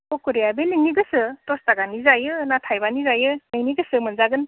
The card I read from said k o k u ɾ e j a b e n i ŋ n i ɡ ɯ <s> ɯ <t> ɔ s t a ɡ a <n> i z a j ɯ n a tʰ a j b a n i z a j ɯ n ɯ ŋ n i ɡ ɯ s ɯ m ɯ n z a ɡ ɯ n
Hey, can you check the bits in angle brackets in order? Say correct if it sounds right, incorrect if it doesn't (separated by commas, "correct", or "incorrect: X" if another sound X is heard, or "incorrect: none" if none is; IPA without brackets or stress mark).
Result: correct, correct, correct